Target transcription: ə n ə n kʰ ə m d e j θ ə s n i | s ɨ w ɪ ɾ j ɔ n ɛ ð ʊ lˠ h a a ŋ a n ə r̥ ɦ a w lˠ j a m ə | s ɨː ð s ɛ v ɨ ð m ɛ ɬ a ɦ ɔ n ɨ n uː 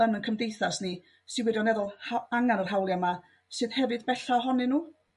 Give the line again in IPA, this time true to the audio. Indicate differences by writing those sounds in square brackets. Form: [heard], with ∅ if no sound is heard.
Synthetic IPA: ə n ə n kʰ ə m d e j θ [a] s n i | s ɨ w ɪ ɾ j ɔ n ɛ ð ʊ lˠ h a a ŋ a n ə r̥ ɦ a w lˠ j a m [a] | s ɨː ð [h] ɛ v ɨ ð [b] ɛ ɬ a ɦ ɔ n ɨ n uː